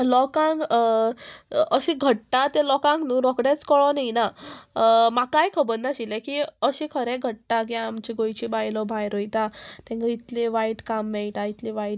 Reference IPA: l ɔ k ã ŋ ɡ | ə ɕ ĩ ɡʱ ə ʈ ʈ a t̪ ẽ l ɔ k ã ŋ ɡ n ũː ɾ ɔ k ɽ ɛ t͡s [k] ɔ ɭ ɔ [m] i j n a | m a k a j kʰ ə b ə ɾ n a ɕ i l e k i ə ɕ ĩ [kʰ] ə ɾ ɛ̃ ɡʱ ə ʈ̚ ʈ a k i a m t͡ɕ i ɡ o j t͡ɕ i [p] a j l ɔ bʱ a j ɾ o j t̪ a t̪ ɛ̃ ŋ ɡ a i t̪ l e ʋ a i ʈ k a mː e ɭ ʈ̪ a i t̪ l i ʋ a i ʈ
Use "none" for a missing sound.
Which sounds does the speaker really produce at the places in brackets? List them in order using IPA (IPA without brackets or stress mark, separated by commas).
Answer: k, n, kʰ, b